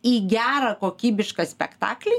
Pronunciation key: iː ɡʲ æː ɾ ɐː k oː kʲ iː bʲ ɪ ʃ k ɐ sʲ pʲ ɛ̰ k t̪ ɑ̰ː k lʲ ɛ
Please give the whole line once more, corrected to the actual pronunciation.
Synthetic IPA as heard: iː ɡʲ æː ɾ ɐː k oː kʲ iː bʲ ɪ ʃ k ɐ sʲ pʲ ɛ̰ k t̪ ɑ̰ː k lʲ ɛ